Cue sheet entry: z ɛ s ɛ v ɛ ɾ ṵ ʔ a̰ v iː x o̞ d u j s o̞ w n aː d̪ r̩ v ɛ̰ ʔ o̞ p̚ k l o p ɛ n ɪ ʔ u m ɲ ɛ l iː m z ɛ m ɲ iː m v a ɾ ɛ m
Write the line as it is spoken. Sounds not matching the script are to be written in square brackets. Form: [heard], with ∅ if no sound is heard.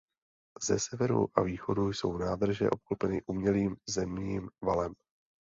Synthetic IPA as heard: z ɛ s ɛ v ɛ ɾ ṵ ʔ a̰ v iː x o̞ d u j s o̞ w n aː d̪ r̩ [ʒ] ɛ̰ ʔ o̞ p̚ k l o p ɛ n ɪ ʔ u m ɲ ɛ l iː m z ɛ m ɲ iː m v a [l] ɛ m